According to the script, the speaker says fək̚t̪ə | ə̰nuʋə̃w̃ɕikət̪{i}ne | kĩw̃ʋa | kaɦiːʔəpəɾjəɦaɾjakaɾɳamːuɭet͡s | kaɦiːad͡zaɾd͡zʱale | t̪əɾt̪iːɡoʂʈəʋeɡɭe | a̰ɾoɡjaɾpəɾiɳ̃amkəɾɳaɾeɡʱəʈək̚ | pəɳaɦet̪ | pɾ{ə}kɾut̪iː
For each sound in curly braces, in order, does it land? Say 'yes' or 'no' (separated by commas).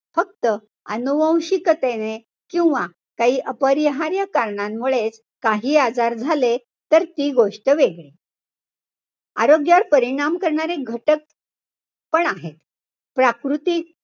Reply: no, no